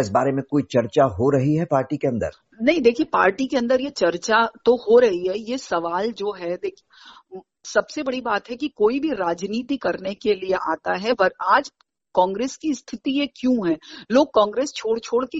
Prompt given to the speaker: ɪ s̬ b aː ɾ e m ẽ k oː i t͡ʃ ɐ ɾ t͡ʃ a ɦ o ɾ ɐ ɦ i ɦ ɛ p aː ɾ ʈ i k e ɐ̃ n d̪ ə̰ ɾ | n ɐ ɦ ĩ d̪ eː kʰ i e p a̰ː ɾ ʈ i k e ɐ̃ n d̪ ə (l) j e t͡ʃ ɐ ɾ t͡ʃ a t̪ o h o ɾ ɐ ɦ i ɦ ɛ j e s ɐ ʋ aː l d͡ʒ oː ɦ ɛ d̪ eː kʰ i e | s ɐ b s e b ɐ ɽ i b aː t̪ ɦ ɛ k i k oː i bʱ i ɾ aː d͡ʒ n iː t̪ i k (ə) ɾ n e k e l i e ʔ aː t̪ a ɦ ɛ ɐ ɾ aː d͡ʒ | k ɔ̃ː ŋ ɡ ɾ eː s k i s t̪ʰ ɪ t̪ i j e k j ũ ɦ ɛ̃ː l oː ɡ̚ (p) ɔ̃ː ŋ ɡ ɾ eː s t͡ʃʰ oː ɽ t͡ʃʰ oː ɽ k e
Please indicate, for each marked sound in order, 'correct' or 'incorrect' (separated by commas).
incorrect, incorrect, incorrect